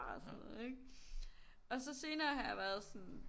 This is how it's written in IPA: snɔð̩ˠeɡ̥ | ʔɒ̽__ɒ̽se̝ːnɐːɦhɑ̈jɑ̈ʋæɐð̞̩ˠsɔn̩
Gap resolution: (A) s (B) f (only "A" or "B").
A